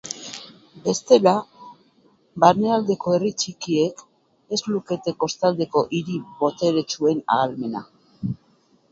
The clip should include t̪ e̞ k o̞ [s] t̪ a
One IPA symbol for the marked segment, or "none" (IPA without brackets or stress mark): s